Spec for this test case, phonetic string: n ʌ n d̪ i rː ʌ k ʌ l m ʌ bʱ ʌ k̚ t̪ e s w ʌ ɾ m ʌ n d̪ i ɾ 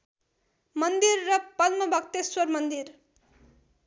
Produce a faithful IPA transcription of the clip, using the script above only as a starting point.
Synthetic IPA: m ʌ n d̪ i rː ʌ p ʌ l m ʌ bʱ ʌ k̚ t̪ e s w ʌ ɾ m ʌ n d̪ i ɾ